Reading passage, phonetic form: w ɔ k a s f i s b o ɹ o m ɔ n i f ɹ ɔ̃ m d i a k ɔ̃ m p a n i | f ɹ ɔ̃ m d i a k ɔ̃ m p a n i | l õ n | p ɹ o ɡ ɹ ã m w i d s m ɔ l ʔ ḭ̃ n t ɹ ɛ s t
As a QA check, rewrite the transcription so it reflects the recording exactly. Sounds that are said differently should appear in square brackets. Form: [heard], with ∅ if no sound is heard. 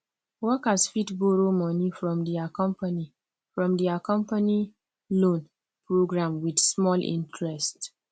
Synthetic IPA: w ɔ k a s f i [t] b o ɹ o m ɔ n i f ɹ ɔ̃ m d i a k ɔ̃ m p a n i | f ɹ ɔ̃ m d i a k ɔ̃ m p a n i | l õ n | p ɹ o ɡ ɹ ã m w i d s m ɔ l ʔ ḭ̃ n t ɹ ɛ s t